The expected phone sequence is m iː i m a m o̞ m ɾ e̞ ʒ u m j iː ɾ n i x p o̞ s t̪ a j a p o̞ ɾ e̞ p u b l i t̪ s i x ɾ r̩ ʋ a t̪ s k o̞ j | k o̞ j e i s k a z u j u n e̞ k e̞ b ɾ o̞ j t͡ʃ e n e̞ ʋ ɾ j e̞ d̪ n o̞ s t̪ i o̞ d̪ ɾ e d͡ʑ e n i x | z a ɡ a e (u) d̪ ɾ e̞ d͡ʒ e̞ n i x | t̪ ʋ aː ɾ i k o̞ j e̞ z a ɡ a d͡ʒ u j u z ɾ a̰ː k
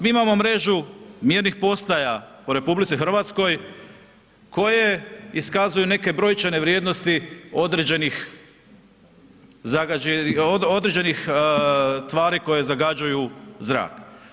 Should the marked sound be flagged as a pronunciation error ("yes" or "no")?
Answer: yes